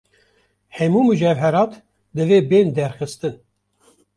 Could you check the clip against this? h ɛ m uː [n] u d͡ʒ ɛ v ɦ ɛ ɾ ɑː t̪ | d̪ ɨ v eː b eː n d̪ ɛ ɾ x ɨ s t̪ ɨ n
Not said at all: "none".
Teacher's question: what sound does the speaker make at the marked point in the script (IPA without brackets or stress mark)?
m